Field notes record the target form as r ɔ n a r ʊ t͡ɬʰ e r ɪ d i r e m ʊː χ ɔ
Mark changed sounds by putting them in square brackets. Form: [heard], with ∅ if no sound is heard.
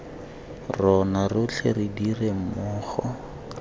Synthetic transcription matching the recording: r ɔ n a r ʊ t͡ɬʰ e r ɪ d i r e m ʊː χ ɔ